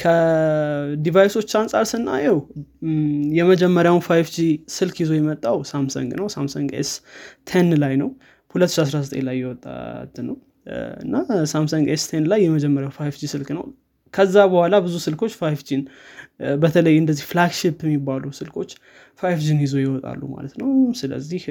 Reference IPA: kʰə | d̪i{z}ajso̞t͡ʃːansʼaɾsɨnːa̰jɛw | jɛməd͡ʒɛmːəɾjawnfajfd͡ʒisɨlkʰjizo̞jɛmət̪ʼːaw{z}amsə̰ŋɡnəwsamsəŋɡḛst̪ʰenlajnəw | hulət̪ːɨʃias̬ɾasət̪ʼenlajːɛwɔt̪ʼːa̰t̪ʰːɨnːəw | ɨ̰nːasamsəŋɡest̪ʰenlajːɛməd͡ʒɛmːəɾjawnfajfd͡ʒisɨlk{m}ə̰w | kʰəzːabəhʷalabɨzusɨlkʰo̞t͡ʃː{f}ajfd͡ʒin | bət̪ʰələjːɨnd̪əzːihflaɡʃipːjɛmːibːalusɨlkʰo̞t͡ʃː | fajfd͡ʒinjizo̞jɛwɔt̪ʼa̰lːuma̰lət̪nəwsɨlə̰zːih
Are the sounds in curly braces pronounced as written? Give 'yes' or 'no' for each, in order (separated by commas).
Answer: no, no, no, yes